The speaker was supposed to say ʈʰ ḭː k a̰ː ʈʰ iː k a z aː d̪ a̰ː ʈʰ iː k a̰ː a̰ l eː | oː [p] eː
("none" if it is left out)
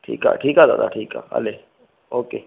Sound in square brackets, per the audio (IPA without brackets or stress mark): k